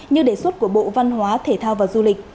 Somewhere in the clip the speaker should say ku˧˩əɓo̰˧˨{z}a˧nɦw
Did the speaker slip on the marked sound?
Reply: yes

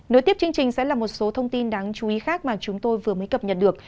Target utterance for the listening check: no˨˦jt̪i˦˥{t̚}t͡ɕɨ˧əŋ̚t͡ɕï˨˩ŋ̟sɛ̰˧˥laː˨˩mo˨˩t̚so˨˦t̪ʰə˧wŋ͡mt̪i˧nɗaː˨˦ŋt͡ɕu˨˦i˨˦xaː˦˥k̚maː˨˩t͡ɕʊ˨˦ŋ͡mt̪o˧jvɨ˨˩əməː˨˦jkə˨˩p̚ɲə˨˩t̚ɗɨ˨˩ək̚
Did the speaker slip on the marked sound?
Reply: yes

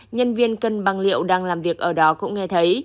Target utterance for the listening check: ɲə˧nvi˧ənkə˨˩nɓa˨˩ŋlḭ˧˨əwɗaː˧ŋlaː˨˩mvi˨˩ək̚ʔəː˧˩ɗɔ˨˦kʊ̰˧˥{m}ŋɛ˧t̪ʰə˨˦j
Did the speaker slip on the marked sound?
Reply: yes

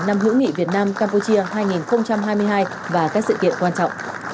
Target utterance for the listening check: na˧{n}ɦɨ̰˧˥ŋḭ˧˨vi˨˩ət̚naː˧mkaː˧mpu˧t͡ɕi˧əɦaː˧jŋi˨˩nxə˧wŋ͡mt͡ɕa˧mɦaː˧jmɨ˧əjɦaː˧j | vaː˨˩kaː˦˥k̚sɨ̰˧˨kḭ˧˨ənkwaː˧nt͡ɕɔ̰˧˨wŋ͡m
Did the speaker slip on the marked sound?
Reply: yes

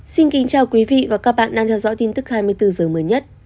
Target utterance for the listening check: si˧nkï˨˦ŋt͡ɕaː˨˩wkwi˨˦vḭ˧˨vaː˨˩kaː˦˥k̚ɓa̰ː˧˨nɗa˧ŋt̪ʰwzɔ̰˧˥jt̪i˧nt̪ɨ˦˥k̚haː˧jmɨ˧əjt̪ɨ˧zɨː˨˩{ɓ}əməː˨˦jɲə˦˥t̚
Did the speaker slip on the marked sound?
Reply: yes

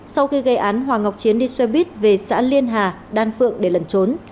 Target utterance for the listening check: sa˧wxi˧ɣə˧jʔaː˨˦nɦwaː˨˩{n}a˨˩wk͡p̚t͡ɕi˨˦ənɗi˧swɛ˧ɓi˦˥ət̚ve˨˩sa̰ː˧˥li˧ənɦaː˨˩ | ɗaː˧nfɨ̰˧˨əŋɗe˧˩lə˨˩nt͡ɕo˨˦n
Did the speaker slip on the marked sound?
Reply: yes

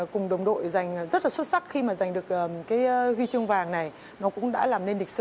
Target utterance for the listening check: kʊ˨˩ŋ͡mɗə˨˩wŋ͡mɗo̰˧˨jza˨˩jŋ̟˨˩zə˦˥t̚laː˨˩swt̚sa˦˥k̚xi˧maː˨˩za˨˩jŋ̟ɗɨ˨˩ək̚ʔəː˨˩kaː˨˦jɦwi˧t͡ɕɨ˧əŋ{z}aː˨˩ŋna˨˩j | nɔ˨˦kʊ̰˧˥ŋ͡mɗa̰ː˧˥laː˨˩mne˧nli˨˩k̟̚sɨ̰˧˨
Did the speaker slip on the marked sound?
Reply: yes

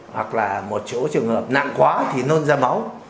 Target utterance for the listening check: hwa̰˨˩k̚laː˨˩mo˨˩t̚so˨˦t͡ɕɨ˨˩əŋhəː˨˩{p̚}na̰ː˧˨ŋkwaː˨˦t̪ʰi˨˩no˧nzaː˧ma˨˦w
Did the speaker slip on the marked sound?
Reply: no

